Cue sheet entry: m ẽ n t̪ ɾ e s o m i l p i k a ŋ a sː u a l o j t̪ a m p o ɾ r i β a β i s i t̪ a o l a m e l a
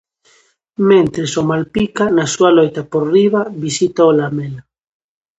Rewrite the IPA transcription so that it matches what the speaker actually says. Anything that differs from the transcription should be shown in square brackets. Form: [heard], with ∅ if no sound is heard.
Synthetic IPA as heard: m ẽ n t̪ ɾ e s o m [a] l p i k a [n] a [s] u a l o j t̪ a [∅] p o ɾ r i β a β i s i t̪ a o l a m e l a